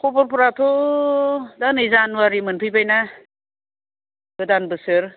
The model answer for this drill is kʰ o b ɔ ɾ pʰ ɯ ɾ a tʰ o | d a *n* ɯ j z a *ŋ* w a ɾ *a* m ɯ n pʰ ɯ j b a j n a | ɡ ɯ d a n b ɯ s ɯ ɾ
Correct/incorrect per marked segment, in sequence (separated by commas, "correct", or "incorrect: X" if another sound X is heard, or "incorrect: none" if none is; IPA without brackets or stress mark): correct, incorrect: n, incorrect: i